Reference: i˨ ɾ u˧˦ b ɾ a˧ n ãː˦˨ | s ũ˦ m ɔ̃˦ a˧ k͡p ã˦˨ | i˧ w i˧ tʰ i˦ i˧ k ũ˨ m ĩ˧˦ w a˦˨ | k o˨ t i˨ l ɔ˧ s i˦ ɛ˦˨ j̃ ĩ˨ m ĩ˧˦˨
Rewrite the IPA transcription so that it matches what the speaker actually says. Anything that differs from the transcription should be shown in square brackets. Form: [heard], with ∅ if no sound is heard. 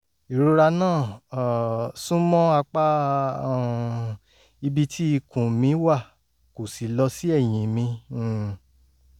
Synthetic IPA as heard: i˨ ɾ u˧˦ [∅] ɾ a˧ n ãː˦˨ | s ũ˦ m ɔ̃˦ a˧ k͡p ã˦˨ | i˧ [b] i˧ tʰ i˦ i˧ k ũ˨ m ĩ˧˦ w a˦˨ | k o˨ [s] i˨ l ɔ˧ s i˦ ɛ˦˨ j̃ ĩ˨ m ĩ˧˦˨